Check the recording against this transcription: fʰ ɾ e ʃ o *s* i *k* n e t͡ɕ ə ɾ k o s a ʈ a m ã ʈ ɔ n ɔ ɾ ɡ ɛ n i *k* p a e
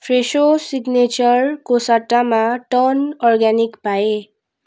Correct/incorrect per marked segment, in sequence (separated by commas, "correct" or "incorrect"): correct, incorrect, correct